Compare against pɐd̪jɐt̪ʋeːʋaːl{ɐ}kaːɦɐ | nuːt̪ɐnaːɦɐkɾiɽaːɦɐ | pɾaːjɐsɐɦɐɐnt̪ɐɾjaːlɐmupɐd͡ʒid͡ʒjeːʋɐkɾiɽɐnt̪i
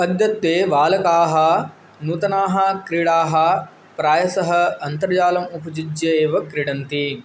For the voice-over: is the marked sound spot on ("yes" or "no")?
yes